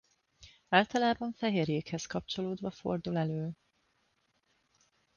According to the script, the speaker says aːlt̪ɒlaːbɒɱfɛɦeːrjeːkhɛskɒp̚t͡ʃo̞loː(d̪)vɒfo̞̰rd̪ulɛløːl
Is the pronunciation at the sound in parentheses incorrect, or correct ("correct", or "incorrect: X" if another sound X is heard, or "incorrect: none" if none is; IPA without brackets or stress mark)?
correct